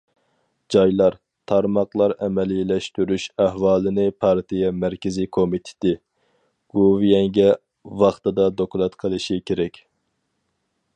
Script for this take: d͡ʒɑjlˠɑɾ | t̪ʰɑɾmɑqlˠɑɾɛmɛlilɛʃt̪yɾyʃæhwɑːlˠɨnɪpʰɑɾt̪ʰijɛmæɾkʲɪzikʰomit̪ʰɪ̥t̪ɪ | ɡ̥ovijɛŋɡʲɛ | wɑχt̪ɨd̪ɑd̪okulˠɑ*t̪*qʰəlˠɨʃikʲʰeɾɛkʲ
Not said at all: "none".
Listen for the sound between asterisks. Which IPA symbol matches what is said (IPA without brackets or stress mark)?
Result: t̪